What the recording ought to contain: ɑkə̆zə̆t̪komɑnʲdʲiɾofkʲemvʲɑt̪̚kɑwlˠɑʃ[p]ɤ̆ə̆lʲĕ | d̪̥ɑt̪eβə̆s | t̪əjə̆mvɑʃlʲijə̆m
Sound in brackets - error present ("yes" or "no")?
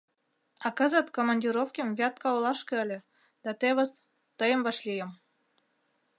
yes